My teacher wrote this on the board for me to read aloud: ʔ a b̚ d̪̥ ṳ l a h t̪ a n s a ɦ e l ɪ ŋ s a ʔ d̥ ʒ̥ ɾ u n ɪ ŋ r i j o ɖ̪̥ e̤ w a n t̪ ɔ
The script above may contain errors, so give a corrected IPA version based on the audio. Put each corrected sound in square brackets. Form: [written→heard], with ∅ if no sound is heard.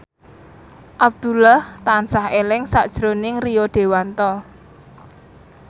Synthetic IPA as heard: ʔ a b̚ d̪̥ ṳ l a h t̪ a n s a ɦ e l ɪ ŋ s a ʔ d̥ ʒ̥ ɾ [u→o] n ɪ ŋ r i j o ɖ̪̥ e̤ w a n t̪ ɔ